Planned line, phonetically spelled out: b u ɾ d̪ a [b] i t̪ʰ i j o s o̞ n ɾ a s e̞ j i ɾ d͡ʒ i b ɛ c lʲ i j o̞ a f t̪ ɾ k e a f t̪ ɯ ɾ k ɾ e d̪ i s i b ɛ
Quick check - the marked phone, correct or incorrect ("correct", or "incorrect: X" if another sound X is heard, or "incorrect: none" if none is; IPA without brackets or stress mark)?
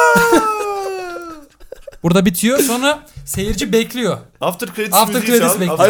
correct